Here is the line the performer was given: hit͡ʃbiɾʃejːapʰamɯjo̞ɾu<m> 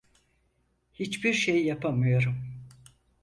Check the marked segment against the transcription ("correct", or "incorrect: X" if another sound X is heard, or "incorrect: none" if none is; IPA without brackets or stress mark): correct